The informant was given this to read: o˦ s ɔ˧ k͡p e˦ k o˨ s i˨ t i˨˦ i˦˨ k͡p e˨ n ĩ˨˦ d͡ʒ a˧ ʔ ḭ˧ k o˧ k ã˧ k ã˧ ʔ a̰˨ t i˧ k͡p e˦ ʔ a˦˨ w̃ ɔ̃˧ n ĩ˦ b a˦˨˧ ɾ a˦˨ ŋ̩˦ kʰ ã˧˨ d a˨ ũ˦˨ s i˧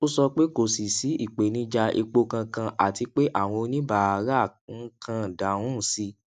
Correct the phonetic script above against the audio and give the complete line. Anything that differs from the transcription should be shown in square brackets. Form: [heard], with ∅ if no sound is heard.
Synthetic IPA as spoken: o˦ s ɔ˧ k͡p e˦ k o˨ s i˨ [s] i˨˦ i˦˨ k͡p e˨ n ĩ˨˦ d͡ʒ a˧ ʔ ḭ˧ [k͡p] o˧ k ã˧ k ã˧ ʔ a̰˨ t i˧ k͡p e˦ ʔ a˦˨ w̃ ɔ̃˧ n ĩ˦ b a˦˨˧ ɾ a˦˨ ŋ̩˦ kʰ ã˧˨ d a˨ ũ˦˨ s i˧